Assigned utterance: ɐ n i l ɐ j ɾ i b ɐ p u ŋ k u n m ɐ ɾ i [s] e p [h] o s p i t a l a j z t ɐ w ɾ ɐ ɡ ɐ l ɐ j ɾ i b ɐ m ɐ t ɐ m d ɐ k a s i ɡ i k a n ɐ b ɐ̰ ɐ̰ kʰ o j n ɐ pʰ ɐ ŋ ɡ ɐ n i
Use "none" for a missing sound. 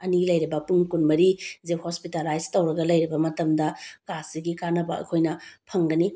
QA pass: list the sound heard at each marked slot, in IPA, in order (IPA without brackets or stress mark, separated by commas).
z, h